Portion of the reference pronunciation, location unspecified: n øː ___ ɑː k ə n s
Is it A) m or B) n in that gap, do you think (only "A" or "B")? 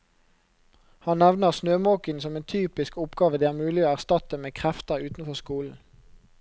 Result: A